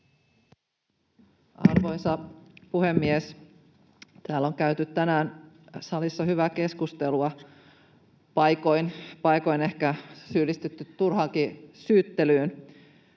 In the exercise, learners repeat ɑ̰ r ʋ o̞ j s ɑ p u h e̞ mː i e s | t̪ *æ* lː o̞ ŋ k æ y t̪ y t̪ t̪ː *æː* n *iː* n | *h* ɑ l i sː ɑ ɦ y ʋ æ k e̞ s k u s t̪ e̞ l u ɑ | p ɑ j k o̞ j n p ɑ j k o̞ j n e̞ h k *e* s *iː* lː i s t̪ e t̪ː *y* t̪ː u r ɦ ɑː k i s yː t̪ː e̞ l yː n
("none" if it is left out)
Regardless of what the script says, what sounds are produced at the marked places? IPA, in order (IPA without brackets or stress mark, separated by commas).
æː, æ, æː, s, æ, yː, y